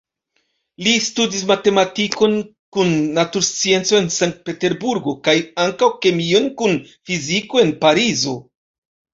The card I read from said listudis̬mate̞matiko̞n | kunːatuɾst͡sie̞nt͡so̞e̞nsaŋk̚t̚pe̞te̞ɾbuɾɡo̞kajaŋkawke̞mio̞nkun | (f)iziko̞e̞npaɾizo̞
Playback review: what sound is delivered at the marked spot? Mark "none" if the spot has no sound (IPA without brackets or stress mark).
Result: f